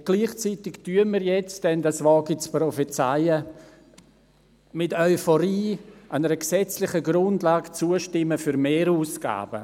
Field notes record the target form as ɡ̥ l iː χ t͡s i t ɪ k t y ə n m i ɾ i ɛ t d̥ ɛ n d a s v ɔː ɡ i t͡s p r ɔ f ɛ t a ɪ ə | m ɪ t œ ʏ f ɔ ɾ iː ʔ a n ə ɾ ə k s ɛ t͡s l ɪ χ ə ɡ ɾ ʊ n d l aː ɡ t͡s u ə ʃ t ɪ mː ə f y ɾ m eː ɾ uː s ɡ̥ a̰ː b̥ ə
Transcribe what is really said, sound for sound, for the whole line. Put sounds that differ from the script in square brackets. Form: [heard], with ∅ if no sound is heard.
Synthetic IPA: ɡ̥ l iː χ t͡s i t ɪ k t y ə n m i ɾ [j] ɛ [t͡s] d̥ ɛ n d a s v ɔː ɡ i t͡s p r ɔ f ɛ [t͡s] a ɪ ə | m ɪ t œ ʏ f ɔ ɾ iː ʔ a n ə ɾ ə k s ɛ t͡s l ɪ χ ə ɡ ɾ ʊ n d l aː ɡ t͡s u ə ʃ t ɪ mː ə f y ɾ m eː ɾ uː s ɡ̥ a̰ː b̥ ə